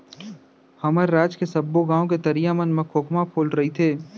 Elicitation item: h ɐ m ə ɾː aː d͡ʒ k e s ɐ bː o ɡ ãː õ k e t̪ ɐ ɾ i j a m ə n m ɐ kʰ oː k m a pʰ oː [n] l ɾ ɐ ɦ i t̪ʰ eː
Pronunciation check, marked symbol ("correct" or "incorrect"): incorrect